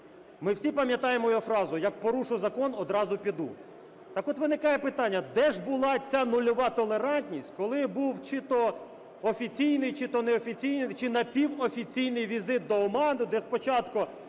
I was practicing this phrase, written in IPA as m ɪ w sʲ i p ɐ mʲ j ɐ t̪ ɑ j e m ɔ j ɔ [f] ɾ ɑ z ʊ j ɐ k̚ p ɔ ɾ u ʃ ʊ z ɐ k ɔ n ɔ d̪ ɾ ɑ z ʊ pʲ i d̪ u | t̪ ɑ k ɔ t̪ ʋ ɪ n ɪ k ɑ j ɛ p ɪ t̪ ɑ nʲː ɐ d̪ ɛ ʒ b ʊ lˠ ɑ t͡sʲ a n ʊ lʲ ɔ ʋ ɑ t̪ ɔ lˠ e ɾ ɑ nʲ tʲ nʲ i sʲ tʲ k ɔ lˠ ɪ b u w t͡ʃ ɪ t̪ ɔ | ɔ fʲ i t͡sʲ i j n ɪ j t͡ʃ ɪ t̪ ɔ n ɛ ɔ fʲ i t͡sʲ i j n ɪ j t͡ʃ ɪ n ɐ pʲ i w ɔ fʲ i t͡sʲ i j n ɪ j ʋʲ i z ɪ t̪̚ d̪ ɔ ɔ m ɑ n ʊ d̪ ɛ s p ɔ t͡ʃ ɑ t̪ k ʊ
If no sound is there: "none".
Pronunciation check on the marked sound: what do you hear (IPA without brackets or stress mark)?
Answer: f